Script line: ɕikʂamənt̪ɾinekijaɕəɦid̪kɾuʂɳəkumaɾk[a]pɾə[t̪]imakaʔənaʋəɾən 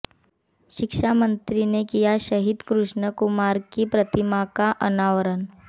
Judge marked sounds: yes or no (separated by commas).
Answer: no, yes